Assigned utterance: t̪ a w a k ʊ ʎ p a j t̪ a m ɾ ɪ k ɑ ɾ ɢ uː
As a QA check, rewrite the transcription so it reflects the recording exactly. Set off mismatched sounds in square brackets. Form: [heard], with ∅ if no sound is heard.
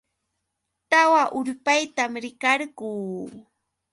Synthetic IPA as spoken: t̪ a w a [ʔ] ʊ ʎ p a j t̪ a m ɾ ɪ k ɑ ɾ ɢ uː